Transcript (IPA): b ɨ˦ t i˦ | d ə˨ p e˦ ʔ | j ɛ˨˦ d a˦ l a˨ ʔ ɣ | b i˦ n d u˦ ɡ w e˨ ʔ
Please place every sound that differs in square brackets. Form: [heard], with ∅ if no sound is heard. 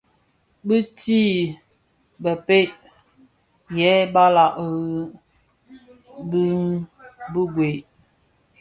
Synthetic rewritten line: b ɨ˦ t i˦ | [b] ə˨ p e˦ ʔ | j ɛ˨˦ [b] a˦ l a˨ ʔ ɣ | b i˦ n [b] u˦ ɡ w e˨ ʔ